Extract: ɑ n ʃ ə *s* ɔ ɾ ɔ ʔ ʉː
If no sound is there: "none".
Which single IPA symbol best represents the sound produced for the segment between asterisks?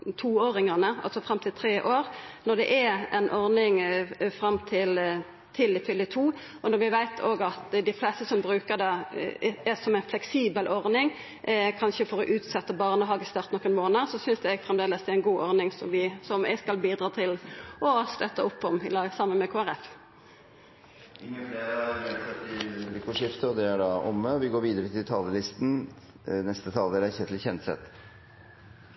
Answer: f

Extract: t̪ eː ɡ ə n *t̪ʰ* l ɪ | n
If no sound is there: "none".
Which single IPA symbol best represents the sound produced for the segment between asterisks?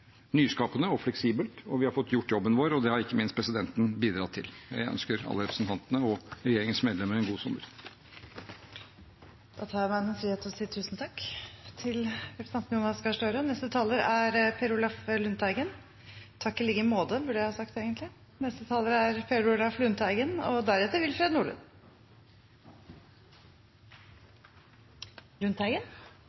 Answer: t̪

